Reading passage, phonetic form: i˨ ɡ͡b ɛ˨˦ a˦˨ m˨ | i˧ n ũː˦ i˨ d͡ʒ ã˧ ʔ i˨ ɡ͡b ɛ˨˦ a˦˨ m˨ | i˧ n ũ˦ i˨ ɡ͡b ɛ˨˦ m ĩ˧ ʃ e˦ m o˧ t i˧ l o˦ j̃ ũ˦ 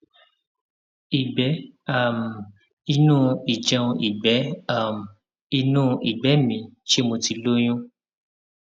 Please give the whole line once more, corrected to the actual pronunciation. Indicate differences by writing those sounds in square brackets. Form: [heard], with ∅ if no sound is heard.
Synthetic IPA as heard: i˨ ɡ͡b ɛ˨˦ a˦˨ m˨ | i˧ n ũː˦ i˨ d͡ʒ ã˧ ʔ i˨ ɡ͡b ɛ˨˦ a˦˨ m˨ | i˧ n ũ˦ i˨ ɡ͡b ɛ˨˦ m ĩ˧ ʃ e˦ m o˧ t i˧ l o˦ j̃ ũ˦